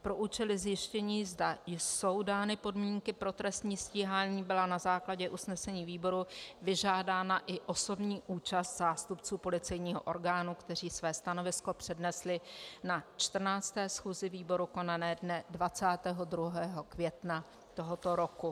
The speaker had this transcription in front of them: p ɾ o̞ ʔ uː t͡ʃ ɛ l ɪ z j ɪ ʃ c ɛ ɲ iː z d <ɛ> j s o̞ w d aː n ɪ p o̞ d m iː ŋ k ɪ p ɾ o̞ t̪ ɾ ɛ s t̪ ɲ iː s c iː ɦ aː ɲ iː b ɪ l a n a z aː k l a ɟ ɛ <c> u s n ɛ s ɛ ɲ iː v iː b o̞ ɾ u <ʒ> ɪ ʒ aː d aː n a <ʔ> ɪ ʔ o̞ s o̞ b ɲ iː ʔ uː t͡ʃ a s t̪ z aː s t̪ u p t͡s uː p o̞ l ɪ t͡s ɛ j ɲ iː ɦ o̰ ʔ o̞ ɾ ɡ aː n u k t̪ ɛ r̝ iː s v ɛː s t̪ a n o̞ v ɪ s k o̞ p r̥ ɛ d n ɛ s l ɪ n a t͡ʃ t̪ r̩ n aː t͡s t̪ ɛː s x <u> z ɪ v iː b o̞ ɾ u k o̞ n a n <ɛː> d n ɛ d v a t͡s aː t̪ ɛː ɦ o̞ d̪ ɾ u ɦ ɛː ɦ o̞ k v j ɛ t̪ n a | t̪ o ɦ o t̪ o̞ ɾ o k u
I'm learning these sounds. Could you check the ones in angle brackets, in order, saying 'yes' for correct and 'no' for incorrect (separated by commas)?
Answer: no, no, no, yes, no, yes